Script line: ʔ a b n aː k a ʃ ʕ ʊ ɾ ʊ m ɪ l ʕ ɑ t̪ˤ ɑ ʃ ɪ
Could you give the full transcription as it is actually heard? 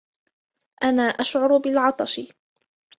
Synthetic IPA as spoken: ʔ a n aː ʔ a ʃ ʕ ʊ ɾ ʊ b ɪ l ʕ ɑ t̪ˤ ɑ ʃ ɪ